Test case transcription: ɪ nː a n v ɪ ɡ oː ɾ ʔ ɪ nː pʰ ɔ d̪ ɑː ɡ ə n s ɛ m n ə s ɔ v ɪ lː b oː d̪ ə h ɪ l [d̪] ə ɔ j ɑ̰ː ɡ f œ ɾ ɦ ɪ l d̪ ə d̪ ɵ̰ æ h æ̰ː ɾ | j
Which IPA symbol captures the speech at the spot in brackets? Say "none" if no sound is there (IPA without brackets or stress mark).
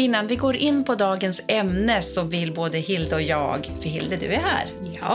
d̪